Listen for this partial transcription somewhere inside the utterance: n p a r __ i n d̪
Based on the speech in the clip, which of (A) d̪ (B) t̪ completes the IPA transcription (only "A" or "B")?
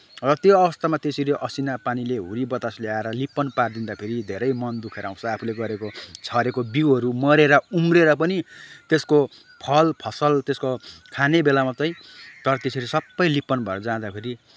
A